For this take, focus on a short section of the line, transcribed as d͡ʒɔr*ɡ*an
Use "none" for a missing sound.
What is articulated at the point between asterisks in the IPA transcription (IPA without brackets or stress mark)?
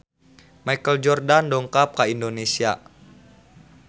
d